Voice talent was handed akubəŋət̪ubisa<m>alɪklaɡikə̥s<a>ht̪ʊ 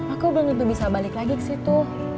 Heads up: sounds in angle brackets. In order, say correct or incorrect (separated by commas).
incorrect, incorrect